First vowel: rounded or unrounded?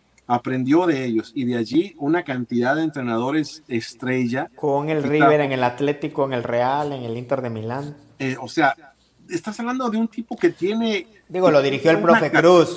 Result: unrounded